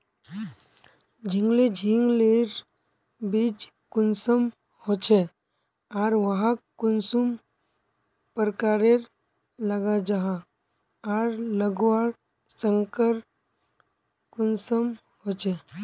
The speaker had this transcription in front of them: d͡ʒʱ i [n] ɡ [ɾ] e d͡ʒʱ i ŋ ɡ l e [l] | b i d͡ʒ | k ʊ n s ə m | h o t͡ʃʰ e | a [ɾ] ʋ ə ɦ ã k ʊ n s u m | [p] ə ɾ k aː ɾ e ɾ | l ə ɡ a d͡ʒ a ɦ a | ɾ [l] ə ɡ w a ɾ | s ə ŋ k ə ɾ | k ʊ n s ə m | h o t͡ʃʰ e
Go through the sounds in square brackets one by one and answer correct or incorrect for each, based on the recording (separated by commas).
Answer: incorrect, incorrect, incorrect, correct, correct, correct